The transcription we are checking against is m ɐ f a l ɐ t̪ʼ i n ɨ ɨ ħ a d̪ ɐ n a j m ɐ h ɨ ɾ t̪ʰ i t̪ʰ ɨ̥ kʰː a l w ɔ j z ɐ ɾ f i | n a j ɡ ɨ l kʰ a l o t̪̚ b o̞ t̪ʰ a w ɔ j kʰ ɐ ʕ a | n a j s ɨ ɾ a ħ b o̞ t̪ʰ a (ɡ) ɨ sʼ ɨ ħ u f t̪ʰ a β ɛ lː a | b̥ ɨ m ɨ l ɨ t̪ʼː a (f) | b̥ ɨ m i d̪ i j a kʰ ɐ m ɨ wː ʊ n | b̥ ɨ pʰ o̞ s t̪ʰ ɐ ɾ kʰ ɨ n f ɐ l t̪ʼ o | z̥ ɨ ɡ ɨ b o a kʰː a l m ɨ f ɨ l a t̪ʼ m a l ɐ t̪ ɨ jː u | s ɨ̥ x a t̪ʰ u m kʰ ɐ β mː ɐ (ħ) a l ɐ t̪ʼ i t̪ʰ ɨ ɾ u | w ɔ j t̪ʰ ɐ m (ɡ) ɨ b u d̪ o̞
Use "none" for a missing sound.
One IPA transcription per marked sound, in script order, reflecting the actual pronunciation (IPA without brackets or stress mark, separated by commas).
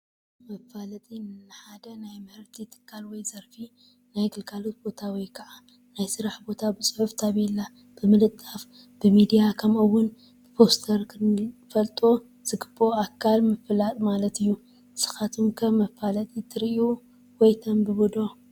b, f, f, b